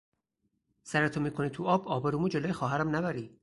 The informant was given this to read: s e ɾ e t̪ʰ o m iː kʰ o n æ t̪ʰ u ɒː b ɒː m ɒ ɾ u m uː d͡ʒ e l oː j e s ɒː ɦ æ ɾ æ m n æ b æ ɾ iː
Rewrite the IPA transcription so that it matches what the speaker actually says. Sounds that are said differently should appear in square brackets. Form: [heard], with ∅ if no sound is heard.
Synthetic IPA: s [æ] ɾ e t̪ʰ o m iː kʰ o n [i] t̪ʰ u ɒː b ɒː [b] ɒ ɾ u m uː d͡ʒ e l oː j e [x] ɒː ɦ æ ɾ æ m n æ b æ ɾ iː